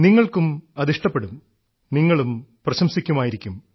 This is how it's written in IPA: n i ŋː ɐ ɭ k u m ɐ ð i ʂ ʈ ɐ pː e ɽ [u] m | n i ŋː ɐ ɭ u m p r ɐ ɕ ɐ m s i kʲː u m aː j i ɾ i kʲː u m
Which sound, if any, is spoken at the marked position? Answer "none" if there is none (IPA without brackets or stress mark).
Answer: u